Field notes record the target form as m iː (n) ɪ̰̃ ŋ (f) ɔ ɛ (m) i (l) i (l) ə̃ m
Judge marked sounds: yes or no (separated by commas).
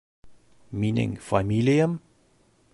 yes, yes, yes, yes, no